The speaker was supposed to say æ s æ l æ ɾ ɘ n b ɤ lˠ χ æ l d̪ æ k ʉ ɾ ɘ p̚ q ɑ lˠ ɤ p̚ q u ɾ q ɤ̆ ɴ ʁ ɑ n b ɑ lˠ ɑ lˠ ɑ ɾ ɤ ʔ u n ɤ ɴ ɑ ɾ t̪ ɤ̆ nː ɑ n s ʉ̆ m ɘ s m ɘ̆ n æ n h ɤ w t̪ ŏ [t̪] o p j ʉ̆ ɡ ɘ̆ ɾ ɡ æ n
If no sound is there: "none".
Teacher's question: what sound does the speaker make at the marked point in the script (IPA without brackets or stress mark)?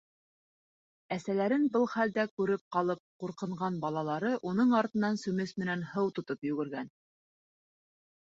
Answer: t̪